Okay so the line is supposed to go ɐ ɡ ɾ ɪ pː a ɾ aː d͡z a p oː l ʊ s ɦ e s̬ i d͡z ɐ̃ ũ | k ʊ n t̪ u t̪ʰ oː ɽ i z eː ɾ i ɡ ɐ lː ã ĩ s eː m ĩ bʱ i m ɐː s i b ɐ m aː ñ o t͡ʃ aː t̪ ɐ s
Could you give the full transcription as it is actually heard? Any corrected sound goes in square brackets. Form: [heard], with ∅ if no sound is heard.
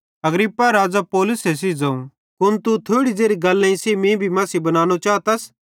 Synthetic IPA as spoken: ɐ ɡ ɾ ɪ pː a ɾ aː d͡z a p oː l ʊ s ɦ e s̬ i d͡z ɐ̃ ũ | k ʊ n t̪ u t̪ʰ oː ɽ i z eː ɾ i ɡ ɐ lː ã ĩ s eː m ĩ bʱ i m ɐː s i b ɐ [n] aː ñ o t͡ʃ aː t̪ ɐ s